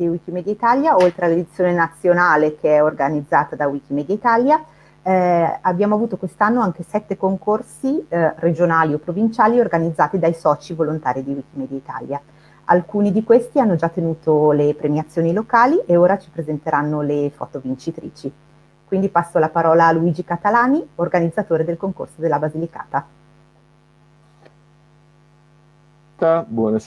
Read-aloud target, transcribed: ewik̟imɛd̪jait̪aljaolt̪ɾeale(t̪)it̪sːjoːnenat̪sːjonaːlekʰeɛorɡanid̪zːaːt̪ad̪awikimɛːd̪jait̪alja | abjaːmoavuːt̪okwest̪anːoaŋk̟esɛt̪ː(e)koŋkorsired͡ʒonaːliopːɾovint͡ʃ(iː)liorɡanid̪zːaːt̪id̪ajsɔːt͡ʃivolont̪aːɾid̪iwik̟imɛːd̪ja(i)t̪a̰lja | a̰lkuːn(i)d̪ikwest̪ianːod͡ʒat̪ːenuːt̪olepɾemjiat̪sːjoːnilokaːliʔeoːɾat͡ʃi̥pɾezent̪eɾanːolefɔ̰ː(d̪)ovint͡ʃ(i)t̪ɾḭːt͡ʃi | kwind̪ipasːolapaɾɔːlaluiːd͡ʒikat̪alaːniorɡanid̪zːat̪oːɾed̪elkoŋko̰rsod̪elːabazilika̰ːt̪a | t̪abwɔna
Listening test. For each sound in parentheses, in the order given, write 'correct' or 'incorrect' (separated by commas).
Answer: incorrect, correct, incorrect, correct, correct, incorrect, correct